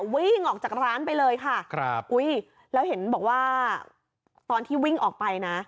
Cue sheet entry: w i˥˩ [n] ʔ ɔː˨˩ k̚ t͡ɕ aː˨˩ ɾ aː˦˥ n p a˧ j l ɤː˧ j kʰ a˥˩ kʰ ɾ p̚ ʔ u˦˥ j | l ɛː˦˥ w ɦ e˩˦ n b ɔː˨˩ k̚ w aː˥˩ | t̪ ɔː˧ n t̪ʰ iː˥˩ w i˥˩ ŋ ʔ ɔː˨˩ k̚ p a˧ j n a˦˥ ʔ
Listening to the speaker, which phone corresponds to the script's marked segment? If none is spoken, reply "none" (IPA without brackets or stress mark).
ŋ